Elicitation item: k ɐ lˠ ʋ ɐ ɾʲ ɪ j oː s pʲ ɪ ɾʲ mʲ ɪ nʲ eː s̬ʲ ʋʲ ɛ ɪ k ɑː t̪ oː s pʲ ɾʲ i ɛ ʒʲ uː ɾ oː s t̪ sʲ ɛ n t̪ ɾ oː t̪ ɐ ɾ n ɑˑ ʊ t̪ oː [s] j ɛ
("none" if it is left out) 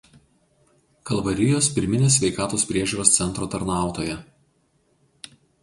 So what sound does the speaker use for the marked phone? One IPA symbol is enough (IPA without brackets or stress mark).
none